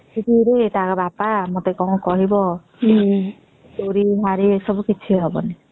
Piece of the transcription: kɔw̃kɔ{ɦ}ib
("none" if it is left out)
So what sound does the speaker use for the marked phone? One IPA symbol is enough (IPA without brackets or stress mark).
ɦ